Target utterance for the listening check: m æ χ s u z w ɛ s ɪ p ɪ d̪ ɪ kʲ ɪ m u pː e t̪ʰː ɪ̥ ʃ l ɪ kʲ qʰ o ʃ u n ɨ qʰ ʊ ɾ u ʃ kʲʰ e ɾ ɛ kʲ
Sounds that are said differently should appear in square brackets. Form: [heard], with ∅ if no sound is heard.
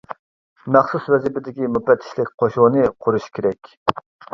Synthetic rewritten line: m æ χ s u [s] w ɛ [z] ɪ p ɪ d̪ ɪ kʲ [i] m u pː [ɛ] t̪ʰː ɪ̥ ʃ l ɪ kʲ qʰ o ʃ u n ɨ qʰ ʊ ɾ u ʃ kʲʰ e ɾ ɛ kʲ